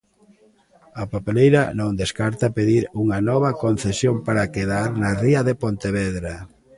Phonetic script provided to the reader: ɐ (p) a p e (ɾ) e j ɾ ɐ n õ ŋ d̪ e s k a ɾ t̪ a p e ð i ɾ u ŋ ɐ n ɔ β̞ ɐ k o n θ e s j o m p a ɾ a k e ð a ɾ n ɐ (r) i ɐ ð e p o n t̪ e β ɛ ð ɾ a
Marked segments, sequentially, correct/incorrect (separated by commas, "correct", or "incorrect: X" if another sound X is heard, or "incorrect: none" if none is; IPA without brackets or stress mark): correct, incorrect: l, correct